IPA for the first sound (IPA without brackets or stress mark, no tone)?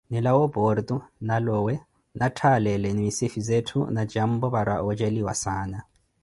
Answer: n